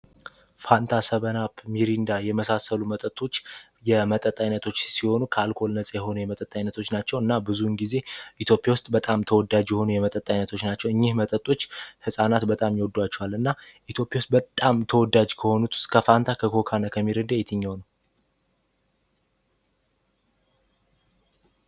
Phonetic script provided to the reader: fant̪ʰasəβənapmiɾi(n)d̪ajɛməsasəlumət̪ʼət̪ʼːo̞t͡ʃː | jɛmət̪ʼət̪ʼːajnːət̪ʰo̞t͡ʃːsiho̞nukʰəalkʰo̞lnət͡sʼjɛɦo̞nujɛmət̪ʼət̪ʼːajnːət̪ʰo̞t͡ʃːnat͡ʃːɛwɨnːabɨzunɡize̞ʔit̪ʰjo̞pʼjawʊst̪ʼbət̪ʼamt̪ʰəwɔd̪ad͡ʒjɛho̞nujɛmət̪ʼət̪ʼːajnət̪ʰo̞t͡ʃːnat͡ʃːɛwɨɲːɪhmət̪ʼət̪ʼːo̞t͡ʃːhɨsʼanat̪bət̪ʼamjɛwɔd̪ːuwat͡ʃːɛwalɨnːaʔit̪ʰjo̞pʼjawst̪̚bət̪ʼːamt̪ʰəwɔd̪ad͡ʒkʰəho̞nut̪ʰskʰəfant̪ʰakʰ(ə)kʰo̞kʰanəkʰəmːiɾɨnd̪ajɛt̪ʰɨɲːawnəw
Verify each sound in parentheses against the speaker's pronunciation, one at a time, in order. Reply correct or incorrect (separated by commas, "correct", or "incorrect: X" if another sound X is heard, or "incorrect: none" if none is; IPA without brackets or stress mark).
correct, correct